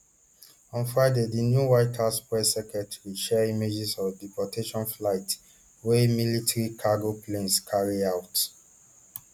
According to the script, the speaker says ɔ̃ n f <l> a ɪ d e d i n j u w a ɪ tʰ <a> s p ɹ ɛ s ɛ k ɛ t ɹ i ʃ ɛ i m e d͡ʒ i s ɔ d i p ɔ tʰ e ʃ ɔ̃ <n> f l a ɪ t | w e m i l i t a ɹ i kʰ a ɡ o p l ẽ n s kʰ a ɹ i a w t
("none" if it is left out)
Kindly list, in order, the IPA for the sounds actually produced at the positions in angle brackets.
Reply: ɹ, a, n

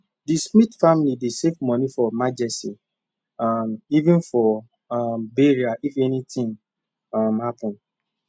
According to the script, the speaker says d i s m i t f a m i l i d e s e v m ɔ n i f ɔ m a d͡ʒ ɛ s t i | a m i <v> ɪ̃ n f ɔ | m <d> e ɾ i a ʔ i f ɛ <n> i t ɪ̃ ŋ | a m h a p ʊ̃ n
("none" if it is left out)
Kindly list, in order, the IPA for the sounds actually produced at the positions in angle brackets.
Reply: v, b, n

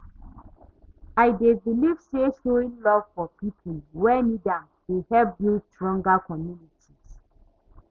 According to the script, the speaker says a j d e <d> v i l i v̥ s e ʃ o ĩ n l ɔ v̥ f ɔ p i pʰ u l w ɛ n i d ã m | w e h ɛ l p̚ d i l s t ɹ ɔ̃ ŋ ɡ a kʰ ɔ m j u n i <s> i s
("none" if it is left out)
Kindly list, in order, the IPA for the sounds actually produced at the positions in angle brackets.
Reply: none, t

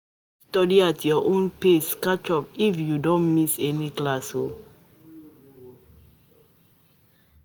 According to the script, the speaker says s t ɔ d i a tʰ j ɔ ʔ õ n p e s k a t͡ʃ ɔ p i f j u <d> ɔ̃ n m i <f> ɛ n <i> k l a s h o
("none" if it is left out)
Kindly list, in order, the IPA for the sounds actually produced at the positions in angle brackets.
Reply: d, s, i

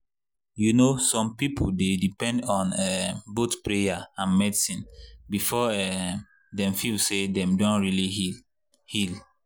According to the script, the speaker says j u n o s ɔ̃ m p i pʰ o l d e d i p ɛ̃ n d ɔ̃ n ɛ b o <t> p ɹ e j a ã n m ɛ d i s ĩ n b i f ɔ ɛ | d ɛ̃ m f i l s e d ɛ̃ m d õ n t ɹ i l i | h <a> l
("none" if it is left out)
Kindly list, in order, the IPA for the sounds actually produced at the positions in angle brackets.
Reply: t, i

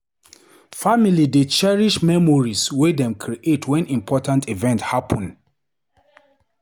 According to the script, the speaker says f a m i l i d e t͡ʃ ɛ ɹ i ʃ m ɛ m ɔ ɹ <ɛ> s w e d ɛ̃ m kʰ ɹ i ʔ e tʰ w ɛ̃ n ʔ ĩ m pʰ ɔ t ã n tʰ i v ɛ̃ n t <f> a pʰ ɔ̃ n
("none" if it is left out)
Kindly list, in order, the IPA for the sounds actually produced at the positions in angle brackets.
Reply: i, h

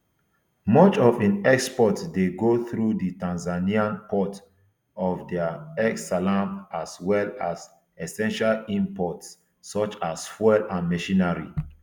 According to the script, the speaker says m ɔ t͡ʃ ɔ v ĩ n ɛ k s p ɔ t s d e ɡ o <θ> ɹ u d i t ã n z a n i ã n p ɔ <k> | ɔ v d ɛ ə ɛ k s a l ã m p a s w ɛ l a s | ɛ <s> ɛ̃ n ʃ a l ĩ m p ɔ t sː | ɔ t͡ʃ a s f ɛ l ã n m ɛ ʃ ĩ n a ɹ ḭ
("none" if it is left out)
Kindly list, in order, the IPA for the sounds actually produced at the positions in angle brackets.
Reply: θ, t, s

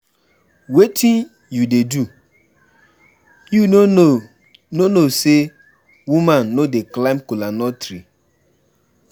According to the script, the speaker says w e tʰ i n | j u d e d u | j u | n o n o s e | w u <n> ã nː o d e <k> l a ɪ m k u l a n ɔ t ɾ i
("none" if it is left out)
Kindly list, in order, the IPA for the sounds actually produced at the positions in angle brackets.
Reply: m, k

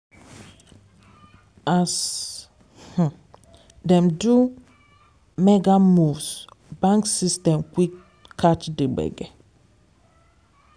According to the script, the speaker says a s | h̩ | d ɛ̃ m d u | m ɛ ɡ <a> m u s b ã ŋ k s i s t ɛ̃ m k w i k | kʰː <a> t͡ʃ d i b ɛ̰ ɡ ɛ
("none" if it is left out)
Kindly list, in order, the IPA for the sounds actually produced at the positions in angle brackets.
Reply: a, a

